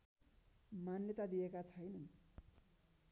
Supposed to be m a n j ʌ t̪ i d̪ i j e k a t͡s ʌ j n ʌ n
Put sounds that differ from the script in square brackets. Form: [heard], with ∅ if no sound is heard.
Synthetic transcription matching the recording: m a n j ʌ t̪ [a] d̪ i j e k a [t͡sʰ] ʌ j n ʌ n